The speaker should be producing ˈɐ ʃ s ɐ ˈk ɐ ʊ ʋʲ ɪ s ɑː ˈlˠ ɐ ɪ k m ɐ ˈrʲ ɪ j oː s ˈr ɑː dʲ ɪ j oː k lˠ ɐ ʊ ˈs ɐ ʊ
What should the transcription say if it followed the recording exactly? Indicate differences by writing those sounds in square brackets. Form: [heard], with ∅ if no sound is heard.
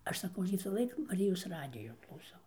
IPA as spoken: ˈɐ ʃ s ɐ ˈk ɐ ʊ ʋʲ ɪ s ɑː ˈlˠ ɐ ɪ k m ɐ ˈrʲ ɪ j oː s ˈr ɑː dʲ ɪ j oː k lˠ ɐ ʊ ˈs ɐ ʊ